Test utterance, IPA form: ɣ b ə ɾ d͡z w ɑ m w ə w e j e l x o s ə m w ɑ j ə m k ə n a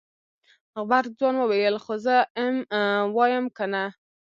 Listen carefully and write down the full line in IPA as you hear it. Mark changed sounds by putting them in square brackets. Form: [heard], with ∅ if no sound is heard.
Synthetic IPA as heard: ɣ b [a] ɾ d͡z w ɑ [n] w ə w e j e l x o [z] ə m w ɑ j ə m k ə n a